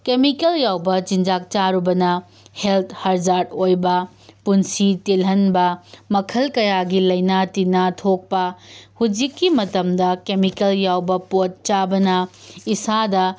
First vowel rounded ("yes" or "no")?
no